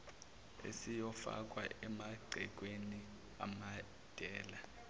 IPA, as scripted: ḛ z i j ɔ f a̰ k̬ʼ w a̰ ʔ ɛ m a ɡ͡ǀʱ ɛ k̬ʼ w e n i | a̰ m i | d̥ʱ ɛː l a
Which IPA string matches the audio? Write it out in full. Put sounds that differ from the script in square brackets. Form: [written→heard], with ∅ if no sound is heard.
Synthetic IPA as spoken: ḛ [z→s] i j ɔ f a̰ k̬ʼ w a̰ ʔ ɛ m a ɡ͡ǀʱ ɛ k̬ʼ w e n i | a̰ m [i→a] | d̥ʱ ɛː l a